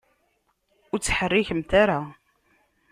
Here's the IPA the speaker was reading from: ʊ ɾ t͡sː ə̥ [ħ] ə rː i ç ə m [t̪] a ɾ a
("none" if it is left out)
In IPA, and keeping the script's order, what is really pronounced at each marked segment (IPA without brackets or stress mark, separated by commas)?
ħ, t̪